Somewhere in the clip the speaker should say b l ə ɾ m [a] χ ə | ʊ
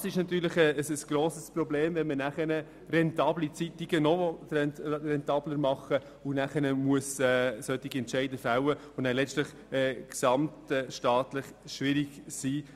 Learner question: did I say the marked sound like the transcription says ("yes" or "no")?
no